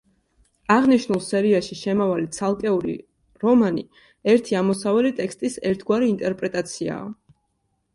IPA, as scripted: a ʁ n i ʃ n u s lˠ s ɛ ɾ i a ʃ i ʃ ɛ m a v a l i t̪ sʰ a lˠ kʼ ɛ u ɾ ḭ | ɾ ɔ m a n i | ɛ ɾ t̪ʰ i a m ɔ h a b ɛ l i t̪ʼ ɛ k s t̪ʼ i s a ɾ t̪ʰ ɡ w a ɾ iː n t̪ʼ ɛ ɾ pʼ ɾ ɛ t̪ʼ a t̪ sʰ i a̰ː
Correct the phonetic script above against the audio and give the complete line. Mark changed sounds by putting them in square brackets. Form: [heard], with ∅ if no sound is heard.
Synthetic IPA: a ʁ n i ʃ n u [∅] lˠ s ɛ ɾ i a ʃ i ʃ ɛ m a v a l i t̪ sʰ a lˠ kʼ ɛ u ɾ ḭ | ɾ ɔ m a n i | ɛ ɾ t̪ʰ i a m ɔ [s] a [v] ɛ l i t̪ʼ ɛ k s t̪ʼ i s [ɛ] ɾ t̪ʰ ɡ w a ɾ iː n t̪ʼ ɛ ɾ pʼ ɾ ɛ t̪ʼ a t̪ sʰ i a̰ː